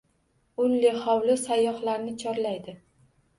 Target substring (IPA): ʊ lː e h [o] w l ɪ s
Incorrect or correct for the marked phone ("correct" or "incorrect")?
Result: incorrect